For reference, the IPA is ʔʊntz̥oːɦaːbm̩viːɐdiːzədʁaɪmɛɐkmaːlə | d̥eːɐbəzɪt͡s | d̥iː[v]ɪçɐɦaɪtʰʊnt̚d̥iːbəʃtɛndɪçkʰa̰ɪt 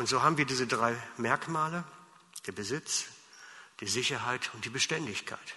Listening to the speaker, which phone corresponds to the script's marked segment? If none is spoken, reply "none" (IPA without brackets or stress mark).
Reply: z